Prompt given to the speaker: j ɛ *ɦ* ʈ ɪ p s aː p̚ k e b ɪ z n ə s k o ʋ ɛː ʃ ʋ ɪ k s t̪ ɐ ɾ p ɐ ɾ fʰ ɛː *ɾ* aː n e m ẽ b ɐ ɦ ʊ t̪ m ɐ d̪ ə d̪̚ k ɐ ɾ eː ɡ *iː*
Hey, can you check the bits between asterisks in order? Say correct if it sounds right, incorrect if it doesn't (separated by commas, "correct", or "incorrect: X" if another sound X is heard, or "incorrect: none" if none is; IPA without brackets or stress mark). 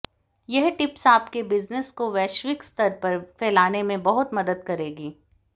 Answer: correct, incorrect: l, correct